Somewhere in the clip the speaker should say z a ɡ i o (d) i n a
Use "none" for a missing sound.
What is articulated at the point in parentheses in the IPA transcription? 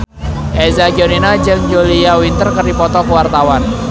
n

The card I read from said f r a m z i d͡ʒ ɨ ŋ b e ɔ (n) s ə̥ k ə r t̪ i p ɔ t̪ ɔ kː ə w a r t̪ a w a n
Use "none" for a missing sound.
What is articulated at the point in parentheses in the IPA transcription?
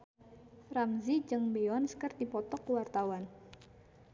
n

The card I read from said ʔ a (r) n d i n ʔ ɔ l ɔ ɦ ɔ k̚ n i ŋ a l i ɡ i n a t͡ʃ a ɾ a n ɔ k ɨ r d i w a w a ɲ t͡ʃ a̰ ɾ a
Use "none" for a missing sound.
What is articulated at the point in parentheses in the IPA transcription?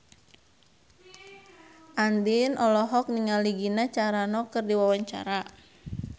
none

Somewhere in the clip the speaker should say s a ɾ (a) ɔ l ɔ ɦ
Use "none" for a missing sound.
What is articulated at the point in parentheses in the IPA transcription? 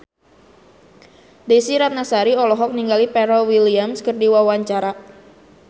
i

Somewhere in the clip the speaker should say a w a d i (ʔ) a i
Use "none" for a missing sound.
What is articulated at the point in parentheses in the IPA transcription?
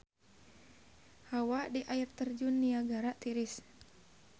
ʔ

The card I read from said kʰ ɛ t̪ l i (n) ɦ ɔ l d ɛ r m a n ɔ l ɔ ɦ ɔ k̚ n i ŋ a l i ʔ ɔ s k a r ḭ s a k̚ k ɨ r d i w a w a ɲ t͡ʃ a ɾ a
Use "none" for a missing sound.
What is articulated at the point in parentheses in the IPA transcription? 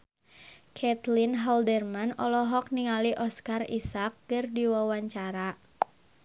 n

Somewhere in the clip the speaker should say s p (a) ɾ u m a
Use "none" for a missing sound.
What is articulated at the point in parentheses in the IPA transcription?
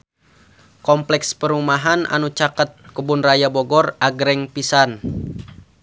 ə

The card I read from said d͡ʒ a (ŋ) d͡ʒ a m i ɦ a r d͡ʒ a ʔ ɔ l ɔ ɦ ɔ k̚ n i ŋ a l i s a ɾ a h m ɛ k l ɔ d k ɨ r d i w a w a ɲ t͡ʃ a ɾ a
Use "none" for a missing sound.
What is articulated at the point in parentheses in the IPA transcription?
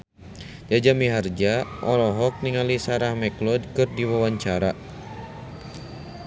none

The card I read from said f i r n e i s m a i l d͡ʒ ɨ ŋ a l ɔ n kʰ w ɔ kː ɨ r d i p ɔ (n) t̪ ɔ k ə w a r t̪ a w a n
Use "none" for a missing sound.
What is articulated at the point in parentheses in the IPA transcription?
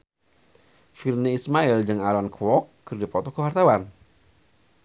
none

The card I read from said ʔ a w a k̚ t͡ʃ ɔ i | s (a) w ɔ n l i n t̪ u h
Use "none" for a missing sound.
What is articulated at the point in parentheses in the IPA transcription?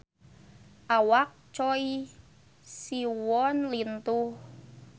i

